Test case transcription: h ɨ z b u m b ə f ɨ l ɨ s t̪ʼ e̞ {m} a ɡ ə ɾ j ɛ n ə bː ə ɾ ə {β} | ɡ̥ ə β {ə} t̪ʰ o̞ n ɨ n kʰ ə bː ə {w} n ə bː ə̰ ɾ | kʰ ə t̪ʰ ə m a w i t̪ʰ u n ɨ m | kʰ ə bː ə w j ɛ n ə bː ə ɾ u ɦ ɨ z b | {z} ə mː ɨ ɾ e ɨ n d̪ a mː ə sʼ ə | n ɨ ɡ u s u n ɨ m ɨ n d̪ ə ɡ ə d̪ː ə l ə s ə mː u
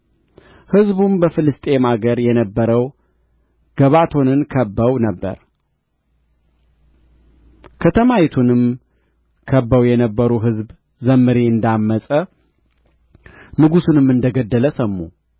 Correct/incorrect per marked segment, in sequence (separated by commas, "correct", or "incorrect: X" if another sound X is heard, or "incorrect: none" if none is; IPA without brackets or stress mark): correct, incorrect: w, incorrect: a, correct, correct